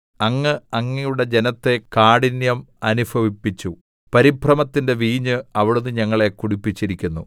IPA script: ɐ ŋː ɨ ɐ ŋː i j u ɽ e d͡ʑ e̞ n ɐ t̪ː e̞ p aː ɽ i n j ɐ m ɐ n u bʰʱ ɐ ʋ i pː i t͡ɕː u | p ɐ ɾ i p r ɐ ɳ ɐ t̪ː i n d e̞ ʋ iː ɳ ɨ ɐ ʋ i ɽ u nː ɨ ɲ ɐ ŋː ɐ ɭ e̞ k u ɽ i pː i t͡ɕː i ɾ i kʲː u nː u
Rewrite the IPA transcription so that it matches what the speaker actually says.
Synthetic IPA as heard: ɐ ŋː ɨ ɐ ŋː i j u ɽ e d͡ʑ e̞ n ɐ t̪ː e̞ k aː ɽ i n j ɐ m ɐ n u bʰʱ ɐ ʋ i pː i t͡ɕː u | p ɐ ɾ i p r ɐ m ɐ t̪ː i n d e̞ ʋ iː ɲ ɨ ɐ ʋ i ɽ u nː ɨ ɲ ɐ ŋː ɐ ɭ e̞ k u ɽ i pː i t͡ɕː i ɾ i kʲː u nː u